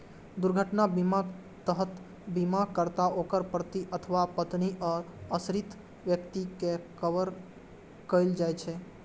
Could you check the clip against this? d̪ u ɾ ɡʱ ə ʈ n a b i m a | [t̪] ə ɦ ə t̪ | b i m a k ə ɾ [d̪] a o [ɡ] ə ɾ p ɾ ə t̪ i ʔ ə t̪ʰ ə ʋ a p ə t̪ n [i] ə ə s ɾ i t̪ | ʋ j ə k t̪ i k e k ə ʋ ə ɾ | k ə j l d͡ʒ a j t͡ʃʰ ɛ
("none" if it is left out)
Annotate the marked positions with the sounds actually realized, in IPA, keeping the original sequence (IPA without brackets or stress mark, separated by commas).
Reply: t̪, t̪, k, i